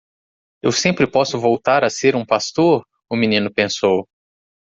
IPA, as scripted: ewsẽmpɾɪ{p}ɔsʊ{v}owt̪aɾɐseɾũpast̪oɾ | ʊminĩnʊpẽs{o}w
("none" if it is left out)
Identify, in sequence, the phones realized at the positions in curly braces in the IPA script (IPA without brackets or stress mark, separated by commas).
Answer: p, v, o